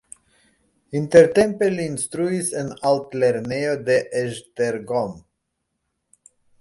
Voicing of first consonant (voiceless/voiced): voiced